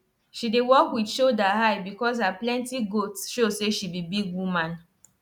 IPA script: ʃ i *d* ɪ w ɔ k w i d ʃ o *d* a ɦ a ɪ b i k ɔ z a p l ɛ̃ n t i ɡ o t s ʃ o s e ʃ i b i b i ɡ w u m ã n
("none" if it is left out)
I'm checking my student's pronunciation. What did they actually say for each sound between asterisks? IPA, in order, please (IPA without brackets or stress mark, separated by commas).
d, d